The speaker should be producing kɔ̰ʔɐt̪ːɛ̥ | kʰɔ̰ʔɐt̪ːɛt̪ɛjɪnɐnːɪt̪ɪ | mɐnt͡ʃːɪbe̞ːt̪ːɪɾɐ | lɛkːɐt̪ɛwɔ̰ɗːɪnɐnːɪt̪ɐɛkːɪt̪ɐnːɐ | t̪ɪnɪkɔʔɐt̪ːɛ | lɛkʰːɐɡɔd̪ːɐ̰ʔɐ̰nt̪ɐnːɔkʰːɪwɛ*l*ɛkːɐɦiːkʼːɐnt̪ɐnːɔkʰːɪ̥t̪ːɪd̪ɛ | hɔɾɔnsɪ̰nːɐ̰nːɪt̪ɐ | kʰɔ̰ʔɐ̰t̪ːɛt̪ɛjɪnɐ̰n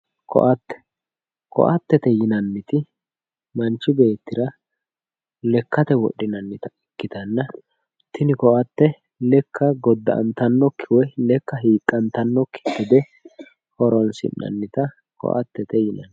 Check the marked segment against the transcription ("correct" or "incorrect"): correct